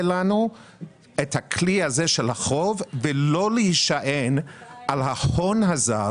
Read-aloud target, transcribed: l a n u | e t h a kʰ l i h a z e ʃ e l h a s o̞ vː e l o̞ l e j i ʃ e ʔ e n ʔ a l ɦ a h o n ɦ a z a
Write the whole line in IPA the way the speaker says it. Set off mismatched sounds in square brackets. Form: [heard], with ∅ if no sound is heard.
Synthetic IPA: l a n u | e t h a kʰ l i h a z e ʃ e l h a [χ] o̞ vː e l o̞ l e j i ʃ [a] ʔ e n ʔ a l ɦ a h o n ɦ a z a